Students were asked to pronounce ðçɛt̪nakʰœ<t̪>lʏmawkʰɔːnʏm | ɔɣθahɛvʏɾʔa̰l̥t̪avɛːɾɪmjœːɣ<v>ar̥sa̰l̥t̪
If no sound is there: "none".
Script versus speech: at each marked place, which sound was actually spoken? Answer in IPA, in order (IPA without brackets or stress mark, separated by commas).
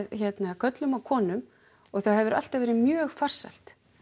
t̪, f